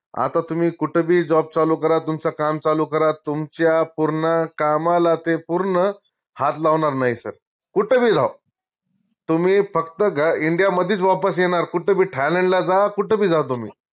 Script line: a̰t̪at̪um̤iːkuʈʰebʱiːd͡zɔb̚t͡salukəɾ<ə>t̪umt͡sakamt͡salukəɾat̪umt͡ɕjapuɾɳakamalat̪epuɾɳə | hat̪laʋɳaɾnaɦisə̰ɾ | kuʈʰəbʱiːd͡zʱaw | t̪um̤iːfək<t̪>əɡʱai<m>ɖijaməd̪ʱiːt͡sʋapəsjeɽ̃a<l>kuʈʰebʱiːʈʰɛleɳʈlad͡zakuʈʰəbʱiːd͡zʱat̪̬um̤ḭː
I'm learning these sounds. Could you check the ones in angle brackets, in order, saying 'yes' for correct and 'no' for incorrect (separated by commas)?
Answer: no, yes, no, no